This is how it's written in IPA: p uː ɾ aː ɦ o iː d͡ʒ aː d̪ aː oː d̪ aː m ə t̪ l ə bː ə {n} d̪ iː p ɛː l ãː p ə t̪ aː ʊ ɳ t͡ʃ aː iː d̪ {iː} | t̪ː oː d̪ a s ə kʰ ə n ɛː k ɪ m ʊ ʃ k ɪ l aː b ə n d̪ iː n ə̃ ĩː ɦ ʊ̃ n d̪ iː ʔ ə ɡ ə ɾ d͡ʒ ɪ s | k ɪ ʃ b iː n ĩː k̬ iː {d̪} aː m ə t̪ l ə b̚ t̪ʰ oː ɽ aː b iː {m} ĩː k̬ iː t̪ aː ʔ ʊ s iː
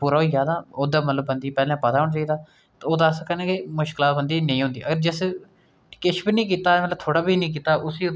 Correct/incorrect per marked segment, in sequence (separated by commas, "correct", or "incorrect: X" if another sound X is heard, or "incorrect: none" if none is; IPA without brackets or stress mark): correct, incorrect: aː, incorrect: t̪, incorrect: n